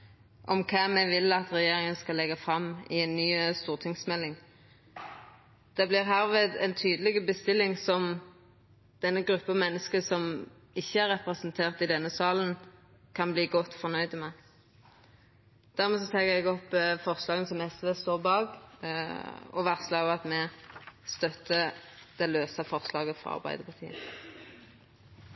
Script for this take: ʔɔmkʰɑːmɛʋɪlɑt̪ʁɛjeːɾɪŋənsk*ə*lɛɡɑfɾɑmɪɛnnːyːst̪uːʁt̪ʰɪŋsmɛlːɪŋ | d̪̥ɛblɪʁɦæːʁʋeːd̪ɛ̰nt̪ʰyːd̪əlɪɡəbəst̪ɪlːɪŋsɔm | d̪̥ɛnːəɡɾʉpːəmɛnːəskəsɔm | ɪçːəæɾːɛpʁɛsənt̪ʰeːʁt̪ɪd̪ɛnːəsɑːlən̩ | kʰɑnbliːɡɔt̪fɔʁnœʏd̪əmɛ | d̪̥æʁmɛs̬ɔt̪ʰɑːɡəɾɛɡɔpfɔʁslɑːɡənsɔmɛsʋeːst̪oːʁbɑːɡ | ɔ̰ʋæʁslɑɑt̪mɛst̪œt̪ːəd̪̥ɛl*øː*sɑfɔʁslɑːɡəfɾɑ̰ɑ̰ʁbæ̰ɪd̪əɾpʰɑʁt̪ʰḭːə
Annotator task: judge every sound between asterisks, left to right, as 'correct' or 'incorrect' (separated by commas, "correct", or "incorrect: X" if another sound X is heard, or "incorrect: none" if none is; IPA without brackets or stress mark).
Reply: incorrect: ɑ, correct